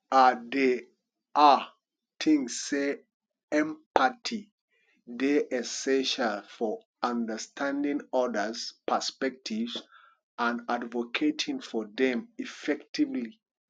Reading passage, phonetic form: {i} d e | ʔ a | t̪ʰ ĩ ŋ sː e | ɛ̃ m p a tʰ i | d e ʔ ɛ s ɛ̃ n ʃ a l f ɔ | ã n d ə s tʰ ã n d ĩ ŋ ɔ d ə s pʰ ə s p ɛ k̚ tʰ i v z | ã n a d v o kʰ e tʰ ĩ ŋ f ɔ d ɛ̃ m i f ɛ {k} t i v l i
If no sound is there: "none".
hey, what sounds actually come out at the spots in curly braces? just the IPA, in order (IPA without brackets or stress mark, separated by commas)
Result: a, k